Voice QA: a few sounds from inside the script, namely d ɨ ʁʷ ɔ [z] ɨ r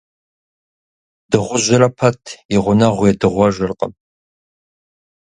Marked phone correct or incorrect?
incorrect